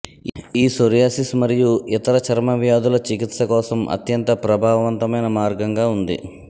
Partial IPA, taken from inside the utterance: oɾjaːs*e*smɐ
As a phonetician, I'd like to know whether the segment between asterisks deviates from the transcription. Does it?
yes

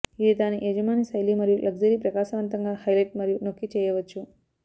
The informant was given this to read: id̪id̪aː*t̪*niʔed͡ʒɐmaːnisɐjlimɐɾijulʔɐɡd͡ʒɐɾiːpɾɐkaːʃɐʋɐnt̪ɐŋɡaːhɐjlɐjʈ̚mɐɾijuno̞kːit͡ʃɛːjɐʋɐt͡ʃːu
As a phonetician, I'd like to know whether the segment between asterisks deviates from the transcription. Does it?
yes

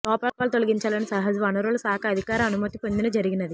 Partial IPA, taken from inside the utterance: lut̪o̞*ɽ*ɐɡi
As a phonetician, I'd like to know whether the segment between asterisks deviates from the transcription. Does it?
yes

